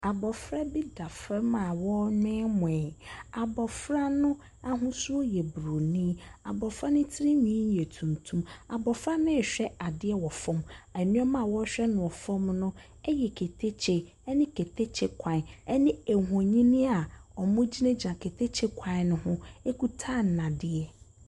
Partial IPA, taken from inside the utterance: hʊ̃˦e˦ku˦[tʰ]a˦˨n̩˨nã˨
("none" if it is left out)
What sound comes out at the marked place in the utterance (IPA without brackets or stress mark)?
tʰ